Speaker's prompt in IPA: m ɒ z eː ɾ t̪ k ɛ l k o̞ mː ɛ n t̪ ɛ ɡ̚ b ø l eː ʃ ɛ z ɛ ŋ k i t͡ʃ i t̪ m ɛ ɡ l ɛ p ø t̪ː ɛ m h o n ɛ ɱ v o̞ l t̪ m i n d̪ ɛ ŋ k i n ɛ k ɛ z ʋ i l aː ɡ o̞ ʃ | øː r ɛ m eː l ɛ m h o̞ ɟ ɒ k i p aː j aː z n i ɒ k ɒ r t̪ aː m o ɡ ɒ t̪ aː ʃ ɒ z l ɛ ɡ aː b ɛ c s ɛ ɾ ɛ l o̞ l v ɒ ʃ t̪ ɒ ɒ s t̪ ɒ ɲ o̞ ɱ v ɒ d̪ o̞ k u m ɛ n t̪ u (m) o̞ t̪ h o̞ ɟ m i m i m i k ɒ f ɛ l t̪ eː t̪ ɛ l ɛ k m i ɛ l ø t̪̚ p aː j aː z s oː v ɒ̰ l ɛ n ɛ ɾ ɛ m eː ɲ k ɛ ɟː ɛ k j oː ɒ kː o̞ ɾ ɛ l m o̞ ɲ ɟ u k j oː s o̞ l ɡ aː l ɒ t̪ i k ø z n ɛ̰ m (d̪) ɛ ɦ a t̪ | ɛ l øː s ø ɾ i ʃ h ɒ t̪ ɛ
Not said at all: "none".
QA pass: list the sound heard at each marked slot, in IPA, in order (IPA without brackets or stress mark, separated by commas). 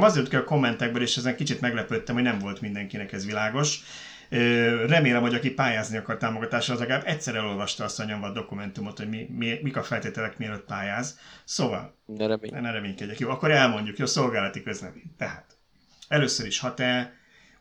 m, t̪